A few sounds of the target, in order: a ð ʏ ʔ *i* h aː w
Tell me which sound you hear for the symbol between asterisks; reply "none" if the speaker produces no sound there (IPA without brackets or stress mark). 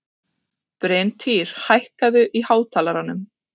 i